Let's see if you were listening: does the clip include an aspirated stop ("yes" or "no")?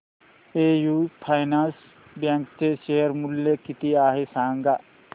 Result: yes